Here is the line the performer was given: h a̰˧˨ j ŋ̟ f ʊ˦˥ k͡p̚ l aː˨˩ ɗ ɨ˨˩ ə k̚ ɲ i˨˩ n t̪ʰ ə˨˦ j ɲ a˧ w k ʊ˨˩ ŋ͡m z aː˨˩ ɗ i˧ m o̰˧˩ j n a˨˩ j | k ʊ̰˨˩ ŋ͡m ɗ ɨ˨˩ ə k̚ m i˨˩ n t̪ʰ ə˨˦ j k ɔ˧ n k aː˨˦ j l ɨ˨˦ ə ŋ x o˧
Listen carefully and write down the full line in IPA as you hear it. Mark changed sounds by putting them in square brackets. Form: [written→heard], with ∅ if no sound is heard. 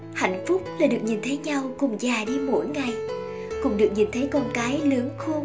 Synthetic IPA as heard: h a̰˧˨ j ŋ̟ f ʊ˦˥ k͡p̚ l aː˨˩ ɗ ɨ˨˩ ə k̚ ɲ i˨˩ n t̪ʰ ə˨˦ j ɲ a˧ w k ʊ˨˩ ŋ͡m z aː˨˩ ɗ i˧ m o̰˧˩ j [n→ŋ] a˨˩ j | k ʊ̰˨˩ ŋ͡m ɗ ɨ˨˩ ə k̚ [m→ɲ] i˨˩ n t̪ʰ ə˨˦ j k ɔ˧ n k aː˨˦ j l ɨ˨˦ ə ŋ x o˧